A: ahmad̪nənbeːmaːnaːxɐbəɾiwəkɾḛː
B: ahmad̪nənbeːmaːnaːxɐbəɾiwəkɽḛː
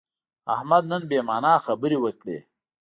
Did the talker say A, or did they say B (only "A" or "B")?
B